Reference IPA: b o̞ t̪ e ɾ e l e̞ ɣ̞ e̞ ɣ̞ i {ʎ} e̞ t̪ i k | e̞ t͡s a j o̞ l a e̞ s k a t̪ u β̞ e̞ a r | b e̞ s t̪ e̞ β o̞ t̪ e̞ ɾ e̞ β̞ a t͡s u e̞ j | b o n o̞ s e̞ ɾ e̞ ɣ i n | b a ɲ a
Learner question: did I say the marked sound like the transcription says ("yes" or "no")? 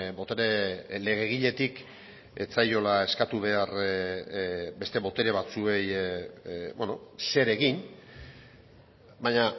yes